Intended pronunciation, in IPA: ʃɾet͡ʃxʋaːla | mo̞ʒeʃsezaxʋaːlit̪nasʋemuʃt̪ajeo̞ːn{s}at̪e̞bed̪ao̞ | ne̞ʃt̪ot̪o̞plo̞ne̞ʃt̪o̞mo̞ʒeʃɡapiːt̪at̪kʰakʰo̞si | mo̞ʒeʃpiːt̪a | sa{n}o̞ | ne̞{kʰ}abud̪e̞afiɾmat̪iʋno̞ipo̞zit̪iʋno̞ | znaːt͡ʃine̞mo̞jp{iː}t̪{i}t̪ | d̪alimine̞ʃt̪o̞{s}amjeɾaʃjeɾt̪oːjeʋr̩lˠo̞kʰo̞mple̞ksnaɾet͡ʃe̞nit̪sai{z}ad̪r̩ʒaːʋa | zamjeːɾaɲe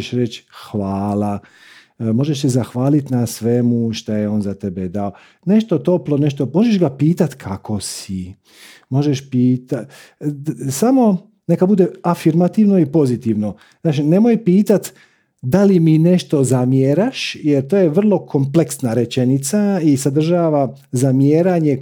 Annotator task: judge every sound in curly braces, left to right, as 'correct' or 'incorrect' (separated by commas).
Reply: incorrect, incorrect, incorrect, correct, incorrect, incorrect, incorrect